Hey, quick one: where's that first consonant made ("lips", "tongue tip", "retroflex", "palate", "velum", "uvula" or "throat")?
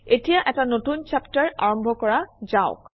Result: tongue tip